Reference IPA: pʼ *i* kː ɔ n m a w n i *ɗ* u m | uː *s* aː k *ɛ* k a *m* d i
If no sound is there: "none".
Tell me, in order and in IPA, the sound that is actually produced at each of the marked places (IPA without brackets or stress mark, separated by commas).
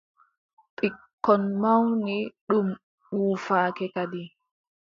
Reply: i, ɗ, f, ɛ, none